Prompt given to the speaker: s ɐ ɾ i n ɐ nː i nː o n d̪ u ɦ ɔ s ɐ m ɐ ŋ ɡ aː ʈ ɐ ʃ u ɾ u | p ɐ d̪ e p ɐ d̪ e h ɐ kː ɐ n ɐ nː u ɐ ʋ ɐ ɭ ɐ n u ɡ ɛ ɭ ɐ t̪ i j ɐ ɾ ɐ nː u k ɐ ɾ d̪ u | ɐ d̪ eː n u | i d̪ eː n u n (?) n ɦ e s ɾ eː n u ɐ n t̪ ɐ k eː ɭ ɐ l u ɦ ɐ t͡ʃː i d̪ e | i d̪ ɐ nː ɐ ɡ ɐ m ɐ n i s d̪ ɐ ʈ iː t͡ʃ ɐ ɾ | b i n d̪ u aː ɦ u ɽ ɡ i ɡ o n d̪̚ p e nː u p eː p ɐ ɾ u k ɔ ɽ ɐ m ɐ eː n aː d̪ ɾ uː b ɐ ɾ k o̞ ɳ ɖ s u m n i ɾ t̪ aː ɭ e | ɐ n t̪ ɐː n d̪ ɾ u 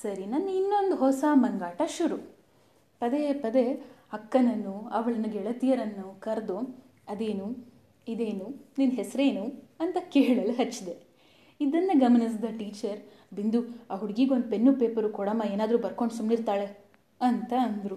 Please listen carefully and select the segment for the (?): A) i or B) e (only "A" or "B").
A